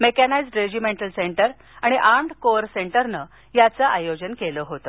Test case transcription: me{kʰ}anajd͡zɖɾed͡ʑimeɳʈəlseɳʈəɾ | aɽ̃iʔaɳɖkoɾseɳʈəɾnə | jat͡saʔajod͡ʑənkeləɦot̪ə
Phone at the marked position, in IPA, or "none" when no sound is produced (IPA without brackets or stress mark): k